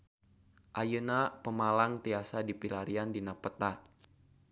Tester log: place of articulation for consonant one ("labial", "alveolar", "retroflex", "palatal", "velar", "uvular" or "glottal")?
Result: glottal